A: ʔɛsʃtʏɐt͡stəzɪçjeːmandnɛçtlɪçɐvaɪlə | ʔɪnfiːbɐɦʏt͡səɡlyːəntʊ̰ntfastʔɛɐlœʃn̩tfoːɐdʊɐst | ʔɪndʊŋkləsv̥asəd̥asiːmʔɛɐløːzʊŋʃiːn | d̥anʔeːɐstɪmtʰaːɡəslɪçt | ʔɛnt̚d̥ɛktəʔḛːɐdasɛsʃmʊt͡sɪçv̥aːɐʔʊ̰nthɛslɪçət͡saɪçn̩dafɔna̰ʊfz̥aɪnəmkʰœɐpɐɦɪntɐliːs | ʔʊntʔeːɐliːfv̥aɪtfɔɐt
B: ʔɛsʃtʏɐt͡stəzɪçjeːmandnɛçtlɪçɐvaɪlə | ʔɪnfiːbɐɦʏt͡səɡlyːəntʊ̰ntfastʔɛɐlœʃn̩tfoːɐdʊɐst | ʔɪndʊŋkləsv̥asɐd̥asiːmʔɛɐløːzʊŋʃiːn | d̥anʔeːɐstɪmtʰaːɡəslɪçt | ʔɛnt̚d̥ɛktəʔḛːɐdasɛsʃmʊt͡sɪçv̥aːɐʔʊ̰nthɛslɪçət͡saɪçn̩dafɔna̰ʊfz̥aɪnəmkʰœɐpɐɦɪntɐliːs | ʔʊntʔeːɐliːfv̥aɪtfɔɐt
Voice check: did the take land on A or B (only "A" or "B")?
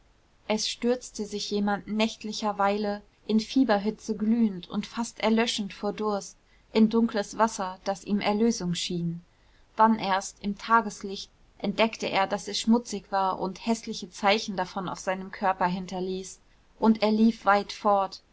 B